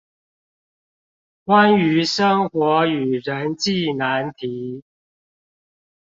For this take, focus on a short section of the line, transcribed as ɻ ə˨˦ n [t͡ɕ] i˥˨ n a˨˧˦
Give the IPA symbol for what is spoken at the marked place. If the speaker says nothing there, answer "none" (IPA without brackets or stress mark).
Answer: t͡ɕ